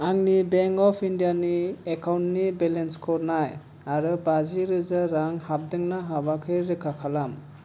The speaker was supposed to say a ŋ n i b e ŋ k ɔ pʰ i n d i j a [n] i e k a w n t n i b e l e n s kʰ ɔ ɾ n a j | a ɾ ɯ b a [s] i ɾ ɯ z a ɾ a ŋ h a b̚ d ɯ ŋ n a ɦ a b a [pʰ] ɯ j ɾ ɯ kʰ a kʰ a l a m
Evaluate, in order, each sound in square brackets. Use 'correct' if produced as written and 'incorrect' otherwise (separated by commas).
correct, incorrect, incorrect